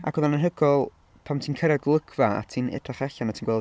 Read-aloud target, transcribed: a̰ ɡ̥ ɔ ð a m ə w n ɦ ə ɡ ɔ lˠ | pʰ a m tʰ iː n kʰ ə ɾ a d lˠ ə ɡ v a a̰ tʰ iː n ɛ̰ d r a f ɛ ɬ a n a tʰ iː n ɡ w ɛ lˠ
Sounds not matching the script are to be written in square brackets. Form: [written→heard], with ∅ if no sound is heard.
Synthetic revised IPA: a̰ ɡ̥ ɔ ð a [m→n] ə [w→∅] n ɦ ə ɡ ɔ lˠ | pʰ a m tʰ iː n kʰ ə ɾ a [d→ɡ] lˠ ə ɡ v a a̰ tʰ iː n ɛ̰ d r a [f→χ] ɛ ɬ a n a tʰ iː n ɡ w ɛ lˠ